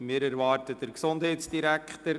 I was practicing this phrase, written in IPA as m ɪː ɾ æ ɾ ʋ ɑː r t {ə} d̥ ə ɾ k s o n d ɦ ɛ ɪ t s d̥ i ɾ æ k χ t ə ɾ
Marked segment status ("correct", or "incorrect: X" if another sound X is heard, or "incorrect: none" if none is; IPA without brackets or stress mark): correct